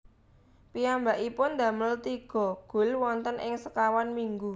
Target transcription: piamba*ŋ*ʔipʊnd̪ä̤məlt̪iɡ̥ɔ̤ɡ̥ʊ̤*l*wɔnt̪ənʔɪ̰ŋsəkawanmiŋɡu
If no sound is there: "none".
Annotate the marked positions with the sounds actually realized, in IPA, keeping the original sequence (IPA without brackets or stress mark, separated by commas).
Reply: none, l